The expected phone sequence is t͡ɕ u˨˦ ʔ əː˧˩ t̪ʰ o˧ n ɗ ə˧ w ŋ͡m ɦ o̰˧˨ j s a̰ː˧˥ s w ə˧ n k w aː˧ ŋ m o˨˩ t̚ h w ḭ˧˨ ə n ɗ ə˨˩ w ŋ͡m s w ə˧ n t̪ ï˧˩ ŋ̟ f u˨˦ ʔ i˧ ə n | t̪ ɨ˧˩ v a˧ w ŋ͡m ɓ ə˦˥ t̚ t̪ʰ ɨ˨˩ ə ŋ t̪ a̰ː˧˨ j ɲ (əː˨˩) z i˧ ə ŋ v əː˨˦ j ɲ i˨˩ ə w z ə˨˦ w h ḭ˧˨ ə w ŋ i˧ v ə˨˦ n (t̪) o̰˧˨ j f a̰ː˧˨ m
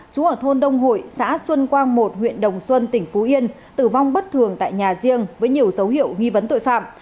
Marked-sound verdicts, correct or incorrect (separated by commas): incorrect, correct